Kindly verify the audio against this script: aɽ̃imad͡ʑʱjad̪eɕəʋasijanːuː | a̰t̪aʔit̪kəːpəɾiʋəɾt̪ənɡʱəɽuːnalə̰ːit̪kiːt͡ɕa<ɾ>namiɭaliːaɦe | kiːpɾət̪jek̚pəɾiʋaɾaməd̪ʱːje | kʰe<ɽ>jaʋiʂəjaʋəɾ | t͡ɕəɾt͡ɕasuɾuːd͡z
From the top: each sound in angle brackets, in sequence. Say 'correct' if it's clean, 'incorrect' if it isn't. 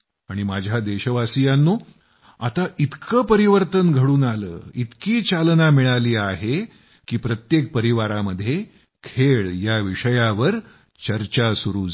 incorrect: l, incorrect: ɭ

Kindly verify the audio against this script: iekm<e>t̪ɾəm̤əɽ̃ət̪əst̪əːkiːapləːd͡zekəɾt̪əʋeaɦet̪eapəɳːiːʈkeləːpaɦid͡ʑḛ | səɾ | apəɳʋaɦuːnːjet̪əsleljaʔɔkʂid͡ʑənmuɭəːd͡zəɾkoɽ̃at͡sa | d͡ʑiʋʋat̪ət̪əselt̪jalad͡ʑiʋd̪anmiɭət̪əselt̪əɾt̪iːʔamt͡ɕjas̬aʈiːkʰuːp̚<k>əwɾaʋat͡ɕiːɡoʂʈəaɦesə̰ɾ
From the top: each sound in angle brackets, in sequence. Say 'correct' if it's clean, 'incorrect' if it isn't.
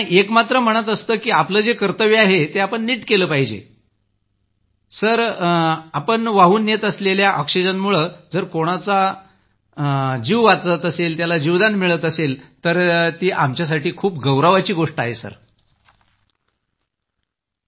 incorrect: a, incorrect: ɡ

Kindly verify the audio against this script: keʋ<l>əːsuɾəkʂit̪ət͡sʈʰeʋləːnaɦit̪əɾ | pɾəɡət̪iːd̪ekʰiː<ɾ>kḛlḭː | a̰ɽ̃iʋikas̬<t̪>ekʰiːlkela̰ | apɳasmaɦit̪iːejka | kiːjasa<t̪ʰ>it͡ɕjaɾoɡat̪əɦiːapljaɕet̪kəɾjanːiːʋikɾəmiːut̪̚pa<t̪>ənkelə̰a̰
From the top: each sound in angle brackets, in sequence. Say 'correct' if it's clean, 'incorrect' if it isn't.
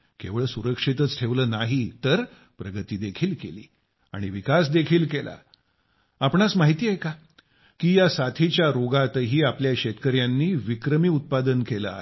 incorrect: ɭ, incorrect: l, incorrect: d̪, correct, incorrect: d̪

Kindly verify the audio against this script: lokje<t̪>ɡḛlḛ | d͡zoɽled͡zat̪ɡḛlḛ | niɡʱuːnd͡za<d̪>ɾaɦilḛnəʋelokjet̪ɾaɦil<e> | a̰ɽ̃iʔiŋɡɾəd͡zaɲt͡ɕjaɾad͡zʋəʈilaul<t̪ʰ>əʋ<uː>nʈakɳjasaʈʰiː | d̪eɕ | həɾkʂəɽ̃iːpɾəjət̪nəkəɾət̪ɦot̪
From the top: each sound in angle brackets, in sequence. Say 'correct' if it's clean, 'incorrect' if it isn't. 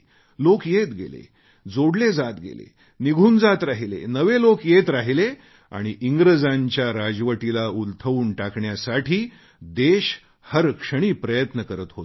correct, incorrect: t̪, correct, correct, correct

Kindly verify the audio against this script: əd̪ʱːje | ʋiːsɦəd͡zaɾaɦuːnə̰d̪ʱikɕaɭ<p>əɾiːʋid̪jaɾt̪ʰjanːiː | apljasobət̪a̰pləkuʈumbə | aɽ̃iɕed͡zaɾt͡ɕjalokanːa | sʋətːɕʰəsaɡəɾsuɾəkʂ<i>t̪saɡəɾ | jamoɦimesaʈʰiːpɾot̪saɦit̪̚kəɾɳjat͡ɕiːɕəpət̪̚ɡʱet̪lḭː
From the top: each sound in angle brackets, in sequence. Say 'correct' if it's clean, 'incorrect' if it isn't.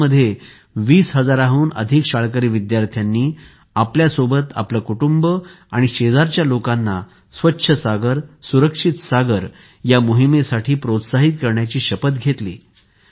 incorrect: k, correct

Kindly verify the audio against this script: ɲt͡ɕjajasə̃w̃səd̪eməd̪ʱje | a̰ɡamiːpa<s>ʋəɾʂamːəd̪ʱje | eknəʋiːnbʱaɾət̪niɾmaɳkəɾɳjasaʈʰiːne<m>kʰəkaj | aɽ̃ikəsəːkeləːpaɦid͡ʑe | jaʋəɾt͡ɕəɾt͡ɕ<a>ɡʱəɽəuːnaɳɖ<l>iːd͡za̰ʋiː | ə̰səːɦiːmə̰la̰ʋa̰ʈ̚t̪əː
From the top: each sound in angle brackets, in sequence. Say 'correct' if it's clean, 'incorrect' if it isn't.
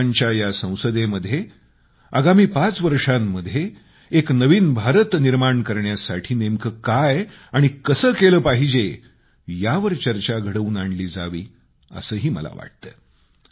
incorrect: t͡s, correct, correct, correct

